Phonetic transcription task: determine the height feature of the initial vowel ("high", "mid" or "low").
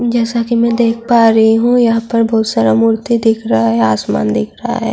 mid